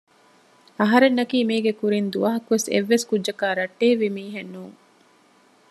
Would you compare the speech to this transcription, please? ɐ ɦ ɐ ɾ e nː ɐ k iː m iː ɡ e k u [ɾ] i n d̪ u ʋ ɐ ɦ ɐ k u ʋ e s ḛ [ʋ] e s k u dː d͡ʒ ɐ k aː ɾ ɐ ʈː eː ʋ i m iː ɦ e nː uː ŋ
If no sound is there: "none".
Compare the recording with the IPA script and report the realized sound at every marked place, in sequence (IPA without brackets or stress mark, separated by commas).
ɾ, ʋː